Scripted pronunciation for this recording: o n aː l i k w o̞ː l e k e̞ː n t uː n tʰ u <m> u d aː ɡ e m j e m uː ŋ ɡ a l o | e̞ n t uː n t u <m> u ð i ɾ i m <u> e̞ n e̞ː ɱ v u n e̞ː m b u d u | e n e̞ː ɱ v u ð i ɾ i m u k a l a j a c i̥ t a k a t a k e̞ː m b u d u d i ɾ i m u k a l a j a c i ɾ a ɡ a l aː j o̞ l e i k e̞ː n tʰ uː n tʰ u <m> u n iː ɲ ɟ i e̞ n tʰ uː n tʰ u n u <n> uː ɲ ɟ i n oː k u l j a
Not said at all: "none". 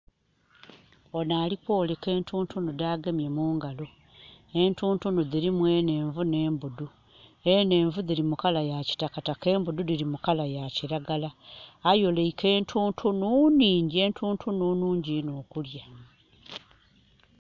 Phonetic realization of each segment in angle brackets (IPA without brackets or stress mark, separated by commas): n, n, w, n, n